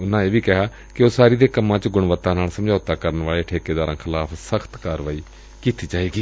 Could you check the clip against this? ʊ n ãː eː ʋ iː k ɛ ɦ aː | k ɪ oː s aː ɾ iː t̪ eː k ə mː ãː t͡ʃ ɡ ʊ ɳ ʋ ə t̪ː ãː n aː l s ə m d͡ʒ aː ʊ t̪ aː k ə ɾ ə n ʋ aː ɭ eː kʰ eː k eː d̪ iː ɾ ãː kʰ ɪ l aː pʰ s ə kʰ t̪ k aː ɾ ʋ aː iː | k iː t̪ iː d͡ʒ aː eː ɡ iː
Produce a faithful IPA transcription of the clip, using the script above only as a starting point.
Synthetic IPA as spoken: ʊ n ãː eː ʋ iː k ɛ ɦ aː | k ɪ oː s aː ɾ iː d̪ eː k ə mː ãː t͡ʃ ɡ ʊ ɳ ʋ ə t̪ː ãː n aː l s ə m d͡ʒ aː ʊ t̪ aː k ə ɾ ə n ʋ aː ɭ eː ʈʰ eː k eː d̪ aː ɾ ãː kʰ ɪ l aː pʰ s ə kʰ t̪ k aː ɾ ʋ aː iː | k iː t̪ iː d͡ʒ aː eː ɡ iː

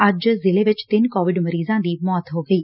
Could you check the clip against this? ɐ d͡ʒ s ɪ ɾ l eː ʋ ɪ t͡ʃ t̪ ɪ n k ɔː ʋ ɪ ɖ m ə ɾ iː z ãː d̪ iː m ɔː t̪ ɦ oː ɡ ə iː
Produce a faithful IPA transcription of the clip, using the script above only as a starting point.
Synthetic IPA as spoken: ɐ d͡ʒ z ɪ l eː ʋ ɪ t͡ʃ t̪ ɪ n k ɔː ʋ ɪ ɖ m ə ɾ iː z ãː d̪ iː m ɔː t̪ ɦ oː ɡ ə iː

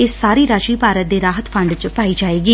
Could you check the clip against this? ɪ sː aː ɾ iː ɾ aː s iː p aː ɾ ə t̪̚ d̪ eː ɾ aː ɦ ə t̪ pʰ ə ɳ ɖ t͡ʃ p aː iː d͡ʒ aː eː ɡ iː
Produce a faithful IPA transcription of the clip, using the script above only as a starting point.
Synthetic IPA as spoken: ɪ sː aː ɾ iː ɾ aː ʃ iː p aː ɾ ə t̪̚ d̪ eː ɾ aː ɦ ə t̪ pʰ ə ɳ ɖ t͡ʃ p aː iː d͡ʒ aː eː ɡ iː

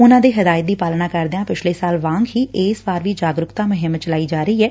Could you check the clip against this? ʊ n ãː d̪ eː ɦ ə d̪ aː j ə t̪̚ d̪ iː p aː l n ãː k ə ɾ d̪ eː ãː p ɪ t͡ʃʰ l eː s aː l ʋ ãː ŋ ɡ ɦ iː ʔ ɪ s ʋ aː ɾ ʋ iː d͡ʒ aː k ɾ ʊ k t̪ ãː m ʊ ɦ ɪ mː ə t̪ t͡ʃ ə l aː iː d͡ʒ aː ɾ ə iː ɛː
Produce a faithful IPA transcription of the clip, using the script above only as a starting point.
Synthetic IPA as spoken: ʊ n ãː d̪ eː ɦ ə d̪ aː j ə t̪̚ d̪ iː p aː l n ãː k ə ɾ d̪ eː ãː p ɪ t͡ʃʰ l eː s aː l ʋ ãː ŋ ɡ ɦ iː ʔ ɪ s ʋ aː ɾ ʋ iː d͡ʒ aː ɡ ɾ ʊ k t̪ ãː m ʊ ɦ ɪ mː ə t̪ t͡ʃ ə l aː iː d͡ʒ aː ɾ ə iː ɛː

